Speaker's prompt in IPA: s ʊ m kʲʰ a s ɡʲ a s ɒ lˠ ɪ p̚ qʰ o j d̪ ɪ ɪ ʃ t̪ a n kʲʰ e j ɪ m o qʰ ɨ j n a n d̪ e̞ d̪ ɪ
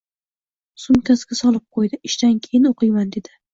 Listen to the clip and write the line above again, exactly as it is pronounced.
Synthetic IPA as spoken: s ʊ m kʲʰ a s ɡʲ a s ɒ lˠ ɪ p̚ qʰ o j d̪ ɪ ɪ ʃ t̪ a n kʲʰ e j ɪ n o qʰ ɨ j m a n d̪ e̞ d̪ ɪ